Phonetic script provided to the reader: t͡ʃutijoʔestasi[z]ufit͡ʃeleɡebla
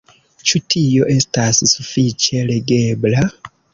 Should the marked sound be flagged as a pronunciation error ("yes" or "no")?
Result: yes